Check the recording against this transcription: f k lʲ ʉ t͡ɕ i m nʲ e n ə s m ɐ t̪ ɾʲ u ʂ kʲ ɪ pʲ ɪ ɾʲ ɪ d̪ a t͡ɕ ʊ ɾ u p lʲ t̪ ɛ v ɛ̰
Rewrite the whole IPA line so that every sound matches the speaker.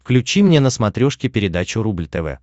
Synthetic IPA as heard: f k lʲ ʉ t͡ɕ i m nʲ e n ə s m ɐ t̪ ɾʲ o ʂ kʲ ɪ pʲ ɪ ɾʲ ɪ d̪ a t͡ɕ ʊ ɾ u b lʲ t̪ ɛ v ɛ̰